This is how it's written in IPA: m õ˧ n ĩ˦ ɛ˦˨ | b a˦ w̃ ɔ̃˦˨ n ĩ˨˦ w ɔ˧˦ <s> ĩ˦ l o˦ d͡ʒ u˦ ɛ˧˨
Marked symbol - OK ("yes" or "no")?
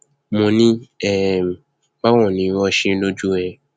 no